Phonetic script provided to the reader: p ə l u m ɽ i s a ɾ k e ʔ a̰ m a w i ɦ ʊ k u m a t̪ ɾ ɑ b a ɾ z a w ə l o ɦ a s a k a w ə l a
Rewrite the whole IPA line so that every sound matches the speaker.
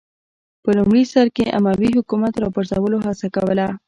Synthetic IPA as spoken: p ə l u m ɽ i s a ɾ k e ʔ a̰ m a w i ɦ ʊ k u m a t̪ ɾ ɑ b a ɾ z a w ə l o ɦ a s a k a w ə l a

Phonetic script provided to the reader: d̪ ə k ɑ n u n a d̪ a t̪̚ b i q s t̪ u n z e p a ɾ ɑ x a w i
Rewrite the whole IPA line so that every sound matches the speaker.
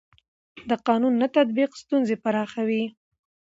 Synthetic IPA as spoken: d̪ ə q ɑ n u nː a t̪ a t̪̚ b i q s t̪ u n z e p a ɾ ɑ x a w i

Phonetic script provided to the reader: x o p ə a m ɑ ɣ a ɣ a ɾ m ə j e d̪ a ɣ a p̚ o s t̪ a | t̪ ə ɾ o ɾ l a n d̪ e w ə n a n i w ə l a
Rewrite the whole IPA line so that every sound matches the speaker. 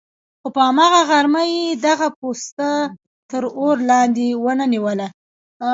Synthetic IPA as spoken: x o p ə a m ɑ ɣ a ɣ a ɾ m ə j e d̪ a ɣ a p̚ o s t̪ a | t̪ ə ɾ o ɾ l ɑ n d̪ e w ə n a n i w ə l a

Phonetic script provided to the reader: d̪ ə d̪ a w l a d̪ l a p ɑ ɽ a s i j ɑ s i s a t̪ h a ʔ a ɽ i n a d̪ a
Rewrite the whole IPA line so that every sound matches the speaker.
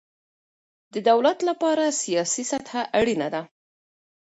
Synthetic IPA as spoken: d̪ ə d̪ a w l a t̪ l a p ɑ ɾ a s i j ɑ s i s a t̪ h a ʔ a ɽ i n a d̪ a

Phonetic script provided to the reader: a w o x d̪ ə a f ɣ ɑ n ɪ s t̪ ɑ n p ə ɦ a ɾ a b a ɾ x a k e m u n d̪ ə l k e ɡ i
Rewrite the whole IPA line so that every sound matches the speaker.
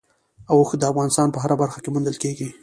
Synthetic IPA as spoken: a w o x d̪ ə a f ɣ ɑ n ɪ s t̪ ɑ n p ə ɦ a ɾ a b a ɾ x a k e m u n d̪ ə l k e ɡ i

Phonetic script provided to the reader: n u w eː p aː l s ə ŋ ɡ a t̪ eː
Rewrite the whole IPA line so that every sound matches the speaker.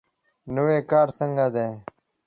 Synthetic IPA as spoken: n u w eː k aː ɾ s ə ŋ ɡ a d̪ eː

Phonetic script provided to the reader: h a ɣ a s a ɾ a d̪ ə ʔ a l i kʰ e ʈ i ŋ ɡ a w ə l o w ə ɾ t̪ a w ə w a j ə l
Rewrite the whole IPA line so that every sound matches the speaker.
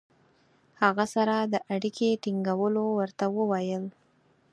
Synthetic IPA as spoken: h a ɣ a s a ɾ a d̪ ə ʔ a ɽ i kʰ e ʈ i ŋ ɡ a w ə l o w ə ɾ t̪ a w ə w a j ə l

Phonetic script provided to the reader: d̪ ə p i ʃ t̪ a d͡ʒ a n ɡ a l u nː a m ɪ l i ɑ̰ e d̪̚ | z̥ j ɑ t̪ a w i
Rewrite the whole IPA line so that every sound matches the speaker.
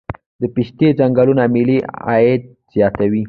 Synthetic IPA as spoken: d̪ ə p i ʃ t̪ e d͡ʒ a ŋ ɡ a l u n a m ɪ l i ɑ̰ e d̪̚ | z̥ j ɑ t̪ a w i

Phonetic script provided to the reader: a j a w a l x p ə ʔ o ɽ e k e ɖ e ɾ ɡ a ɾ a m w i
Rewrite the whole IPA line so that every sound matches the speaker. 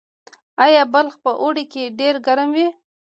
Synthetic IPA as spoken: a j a b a l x p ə ʔ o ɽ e k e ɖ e ɾ ɡ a ɾ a m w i

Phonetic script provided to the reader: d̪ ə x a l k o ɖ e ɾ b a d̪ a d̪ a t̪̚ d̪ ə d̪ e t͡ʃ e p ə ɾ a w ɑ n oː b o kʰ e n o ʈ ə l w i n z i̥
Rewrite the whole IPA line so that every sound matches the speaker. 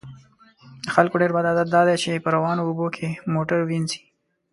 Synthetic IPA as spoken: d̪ ə x a l k o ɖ e ɾ b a d̪ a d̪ a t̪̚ d̪ ɑ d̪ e t͡ʃ e p ə ɾ a w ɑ n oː b o kʰ e m o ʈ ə ɾ w i n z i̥

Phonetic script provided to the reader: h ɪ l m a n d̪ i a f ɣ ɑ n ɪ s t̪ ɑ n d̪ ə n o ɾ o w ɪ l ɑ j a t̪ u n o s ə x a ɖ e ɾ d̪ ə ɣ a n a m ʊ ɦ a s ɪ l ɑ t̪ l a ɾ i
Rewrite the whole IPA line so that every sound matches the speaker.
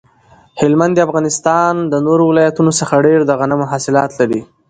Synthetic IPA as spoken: h ɪ l m a n d̪ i a f ɣ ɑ n ɪ s t̪ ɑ n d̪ ə n o ɾ o w ɪ l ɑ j a t̪ u n o s ə x a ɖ e ɾ d̪ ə ɣ a n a m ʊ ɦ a s ɪ l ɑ t̪ l a ɾ i

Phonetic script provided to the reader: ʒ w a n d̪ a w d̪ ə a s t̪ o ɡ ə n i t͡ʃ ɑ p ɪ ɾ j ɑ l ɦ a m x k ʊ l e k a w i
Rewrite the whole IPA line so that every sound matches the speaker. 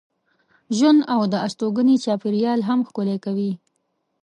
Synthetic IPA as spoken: ʒ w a n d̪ a w d̪ ə a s t̪ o ɡ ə n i t͡ʃ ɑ p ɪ ɾ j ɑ l ɦ a m x k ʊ l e k a w i

